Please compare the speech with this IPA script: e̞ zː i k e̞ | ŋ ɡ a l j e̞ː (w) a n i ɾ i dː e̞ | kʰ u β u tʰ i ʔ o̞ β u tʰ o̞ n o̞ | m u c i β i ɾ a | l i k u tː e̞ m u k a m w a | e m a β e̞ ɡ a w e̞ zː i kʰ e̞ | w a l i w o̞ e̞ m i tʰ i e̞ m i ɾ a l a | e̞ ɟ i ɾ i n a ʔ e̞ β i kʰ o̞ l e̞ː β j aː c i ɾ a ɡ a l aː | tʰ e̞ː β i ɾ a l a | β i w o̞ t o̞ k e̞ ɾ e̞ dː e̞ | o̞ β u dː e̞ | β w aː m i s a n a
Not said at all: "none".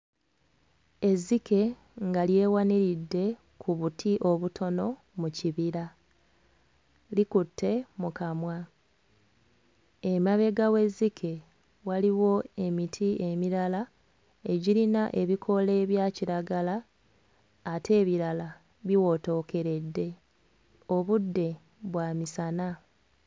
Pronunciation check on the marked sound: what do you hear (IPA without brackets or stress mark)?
w